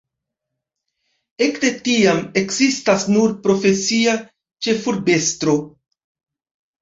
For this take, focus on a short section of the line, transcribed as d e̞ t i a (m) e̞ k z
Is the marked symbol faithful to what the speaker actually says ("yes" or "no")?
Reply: yes